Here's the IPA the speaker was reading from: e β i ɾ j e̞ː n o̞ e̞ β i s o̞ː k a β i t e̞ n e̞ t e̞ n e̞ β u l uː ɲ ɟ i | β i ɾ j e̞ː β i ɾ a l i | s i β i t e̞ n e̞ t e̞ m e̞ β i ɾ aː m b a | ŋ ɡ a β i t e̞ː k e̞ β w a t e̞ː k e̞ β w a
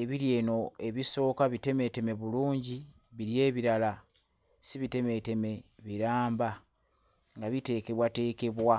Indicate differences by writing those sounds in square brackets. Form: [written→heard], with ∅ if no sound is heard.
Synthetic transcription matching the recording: e β i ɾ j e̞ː n o̞ e̞ β i s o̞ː k a β i t e̞ [n→m] e̞ t e̞ [n→m] e̞ β u l uː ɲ ɟ i | β i ɾ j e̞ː β i ɾ a l [i→a] | s i β i t e̞ [n→m] e̞ t e̞ m e̞ β i ɾ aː m b a | ŋ ɡ a β i t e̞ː k e̞ β w a t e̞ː k e̞ β w a